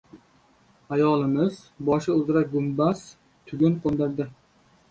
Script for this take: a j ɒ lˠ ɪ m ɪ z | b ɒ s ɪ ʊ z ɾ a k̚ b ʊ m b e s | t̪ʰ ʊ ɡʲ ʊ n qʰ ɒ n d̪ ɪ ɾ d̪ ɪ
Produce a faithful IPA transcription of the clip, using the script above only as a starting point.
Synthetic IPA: a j ɒ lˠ ɪ m ɪ z | b ɒ ʃ ɪ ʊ z ɾ a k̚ ɡ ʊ m b a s | t̪ʰ ʊ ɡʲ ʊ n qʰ o n d̪ ɪ ɾ d̪ ɪ